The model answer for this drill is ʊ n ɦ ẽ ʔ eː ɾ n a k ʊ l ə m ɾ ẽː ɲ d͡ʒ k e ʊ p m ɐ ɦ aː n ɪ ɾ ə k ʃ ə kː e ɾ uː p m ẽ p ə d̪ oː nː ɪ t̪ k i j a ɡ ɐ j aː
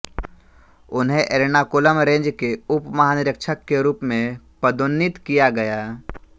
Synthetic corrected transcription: ʊ n ɦ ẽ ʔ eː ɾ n a k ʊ l ə m ɾ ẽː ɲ d͡ʒ k e ʊ p m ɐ ɦ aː n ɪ ɾ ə k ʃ ə kː e ɾ uː p m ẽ p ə d̪ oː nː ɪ t̪ k i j a ɡ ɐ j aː